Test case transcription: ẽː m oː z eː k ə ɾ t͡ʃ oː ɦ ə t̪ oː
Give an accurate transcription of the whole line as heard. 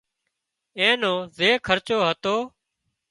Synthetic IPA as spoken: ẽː n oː z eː kʰ ə ɾ t͡ʃ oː ɦ ə t̪ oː